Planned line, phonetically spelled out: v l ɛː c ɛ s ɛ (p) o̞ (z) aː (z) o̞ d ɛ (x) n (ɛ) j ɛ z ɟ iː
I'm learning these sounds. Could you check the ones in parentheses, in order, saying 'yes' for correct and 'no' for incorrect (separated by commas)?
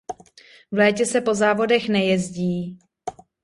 yes, yes, no, yes, yes